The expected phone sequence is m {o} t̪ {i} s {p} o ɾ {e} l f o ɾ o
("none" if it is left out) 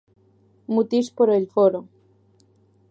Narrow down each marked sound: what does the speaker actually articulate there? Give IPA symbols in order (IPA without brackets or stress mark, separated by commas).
u, i, p, e